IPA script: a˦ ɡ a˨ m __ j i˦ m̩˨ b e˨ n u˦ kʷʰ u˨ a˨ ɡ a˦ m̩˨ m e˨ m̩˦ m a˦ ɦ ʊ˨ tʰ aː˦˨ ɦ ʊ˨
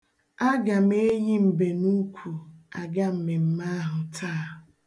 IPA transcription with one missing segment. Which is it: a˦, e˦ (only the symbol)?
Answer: e˦